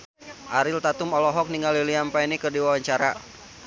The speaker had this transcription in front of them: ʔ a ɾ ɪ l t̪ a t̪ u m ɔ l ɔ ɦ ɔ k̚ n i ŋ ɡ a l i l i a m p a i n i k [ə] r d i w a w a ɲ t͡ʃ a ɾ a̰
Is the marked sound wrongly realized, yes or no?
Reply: no